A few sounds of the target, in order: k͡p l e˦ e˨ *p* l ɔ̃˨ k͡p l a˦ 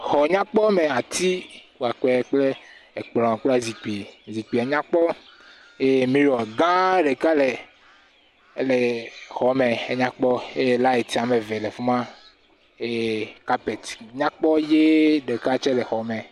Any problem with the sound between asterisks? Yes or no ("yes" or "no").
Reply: yes